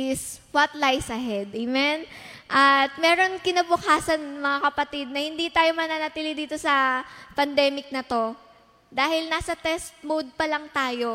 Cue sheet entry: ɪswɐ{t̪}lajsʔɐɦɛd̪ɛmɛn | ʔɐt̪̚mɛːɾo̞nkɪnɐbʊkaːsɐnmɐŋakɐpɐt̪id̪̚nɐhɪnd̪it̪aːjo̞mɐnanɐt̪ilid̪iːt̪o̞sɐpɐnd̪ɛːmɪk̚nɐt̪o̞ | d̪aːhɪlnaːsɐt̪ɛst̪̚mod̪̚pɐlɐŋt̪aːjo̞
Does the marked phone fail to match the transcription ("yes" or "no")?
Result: no